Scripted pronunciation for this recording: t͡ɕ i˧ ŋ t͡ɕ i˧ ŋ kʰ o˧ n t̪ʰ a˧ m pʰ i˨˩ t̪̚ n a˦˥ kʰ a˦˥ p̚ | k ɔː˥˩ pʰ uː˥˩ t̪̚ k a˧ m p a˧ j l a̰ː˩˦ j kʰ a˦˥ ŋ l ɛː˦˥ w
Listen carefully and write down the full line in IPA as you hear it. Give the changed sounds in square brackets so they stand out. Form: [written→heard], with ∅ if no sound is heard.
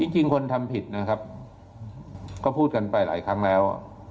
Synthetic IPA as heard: t͡ɕ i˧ ŋ t͡ɕ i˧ ŋ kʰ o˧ n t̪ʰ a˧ m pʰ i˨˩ t̪̚ n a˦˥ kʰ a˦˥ p̚ | k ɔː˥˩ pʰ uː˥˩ t̪̚ k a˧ [m→n] p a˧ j l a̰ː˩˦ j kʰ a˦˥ ŋ l ɛː˦˥ w